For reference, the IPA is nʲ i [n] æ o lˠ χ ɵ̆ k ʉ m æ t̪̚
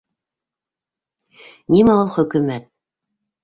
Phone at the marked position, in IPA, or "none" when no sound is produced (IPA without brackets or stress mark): m